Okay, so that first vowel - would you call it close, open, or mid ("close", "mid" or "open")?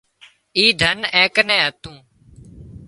close